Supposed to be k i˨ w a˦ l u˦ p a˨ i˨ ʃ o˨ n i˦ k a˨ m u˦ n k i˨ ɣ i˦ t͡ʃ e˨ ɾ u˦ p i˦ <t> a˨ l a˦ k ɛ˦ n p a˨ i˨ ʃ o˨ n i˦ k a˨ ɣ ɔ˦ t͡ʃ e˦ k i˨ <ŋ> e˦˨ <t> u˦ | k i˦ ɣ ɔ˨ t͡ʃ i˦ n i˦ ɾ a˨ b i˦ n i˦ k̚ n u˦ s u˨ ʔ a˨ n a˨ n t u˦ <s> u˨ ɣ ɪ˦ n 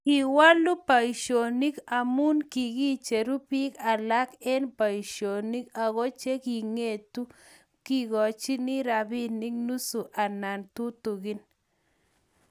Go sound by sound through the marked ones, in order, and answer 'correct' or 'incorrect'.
incorrect: k, correct, correct, incorrect: t

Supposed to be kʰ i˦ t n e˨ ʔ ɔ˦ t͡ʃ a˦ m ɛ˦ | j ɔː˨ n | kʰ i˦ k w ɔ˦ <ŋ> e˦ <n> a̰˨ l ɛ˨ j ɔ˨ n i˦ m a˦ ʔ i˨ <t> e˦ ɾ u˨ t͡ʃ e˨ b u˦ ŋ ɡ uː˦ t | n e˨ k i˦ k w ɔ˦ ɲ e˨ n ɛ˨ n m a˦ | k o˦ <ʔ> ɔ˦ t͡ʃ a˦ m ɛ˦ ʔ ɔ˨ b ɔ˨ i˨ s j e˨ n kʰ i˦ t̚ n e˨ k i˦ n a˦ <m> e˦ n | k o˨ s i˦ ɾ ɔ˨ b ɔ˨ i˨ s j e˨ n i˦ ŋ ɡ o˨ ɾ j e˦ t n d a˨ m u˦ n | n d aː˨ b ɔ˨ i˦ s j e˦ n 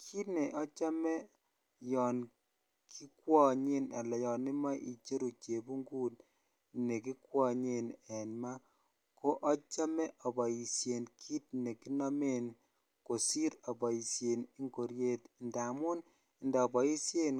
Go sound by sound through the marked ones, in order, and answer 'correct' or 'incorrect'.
incorrect: ɲ, correct, incorrect: t͡ʃ, correct, correct

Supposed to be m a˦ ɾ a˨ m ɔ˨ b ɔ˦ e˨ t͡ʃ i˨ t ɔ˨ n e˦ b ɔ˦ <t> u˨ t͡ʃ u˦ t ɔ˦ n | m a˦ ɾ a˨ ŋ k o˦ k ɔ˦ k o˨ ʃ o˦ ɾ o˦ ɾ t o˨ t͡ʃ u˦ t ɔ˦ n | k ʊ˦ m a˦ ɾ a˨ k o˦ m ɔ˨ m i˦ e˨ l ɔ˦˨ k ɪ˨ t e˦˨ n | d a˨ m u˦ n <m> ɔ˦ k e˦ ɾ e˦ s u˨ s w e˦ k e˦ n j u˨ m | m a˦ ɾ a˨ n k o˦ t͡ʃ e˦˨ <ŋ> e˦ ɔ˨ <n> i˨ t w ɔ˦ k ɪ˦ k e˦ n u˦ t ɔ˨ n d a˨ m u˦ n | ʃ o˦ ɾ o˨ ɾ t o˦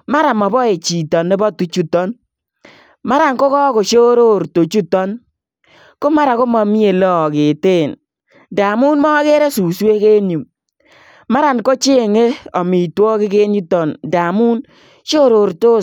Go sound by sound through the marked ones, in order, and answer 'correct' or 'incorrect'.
correct, correct, correct, incorrect: m

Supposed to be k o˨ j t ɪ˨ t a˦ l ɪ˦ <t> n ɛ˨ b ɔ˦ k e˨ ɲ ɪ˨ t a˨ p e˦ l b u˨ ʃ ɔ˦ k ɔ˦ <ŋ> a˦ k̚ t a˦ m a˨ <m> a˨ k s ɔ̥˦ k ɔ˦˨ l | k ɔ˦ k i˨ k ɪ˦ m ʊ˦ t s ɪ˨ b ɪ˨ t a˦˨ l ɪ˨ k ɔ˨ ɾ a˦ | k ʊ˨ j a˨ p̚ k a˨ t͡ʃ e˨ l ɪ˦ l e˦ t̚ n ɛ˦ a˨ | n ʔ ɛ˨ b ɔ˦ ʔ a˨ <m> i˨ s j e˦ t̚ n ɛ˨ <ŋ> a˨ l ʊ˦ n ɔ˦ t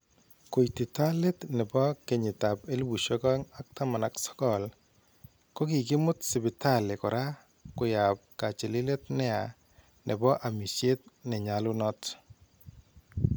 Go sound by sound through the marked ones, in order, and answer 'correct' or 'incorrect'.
correct, correct, incorrect: n, correct, incorrect: ɲ

